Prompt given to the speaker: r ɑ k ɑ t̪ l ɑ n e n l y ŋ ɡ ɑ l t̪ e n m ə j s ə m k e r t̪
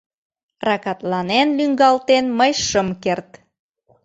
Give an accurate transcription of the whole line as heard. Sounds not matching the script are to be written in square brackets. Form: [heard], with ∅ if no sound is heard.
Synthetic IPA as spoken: r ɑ k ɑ t̪ l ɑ n e n l y ŋ ɡ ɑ l t̪ e n m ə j [ʃ] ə m k e r t̪